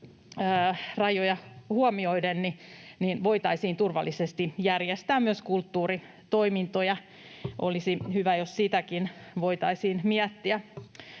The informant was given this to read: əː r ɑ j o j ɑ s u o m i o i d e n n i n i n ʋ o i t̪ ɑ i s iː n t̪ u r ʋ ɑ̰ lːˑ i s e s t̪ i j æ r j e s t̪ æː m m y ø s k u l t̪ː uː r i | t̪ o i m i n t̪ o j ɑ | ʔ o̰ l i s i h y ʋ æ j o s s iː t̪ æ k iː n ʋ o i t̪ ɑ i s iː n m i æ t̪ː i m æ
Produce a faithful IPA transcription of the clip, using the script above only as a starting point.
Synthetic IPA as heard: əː r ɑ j o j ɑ h u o m i o i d e n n i n i n ʋ o i t̪ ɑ i s iː n t̪ u r ʋ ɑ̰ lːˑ i s e s t̪ i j æ r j e s t̪ æː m m y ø s k u l t̪ː uː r i | t̪ o i m i n t̪ o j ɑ | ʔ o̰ l i s i h y ʋ æ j o s s i t̪ æ k i n ʋ o i t̪ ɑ i s iː n m i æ t̪ː i æ